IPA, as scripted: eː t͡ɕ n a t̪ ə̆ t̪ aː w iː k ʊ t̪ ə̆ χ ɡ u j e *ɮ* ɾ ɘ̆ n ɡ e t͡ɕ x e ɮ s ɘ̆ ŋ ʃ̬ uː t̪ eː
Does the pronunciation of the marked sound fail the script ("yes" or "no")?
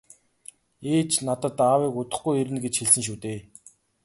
yes